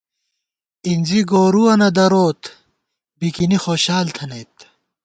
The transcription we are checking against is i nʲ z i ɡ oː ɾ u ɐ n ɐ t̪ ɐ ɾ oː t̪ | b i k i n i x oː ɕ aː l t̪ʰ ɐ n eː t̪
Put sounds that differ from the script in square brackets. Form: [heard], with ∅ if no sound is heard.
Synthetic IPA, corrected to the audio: i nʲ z i ɡ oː ɾ u ɐ n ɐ [d̪] ɐ ɾ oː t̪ | b i k i n i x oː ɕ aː l t̪ʰ ɐ n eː t̪